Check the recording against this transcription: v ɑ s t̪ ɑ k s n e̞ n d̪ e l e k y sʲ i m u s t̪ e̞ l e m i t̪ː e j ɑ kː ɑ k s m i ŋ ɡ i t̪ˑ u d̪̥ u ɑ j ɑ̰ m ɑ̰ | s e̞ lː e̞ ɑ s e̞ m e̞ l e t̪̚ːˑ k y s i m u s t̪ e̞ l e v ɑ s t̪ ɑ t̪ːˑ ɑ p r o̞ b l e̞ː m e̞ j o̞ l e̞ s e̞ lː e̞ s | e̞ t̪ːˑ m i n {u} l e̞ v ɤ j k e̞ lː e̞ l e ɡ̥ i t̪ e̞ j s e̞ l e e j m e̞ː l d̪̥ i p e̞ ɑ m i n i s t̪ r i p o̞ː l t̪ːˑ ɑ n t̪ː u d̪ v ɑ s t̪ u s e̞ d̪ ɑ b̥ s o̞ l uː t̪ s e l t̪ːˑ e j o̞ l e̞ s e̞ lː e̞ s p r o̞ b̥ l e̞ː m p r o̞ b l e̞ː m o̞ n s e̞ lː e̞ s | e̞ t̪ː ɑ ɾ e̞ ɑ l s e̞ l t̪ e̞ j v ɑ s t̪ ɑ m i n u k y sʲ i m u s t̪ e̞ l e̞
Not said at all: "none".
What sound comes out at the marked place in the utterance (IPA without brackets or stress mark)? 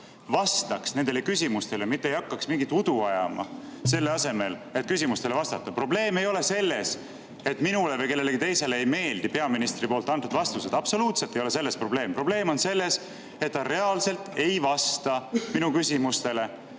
u